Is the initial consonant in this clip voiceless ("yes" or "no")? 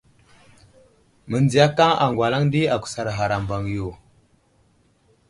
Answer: no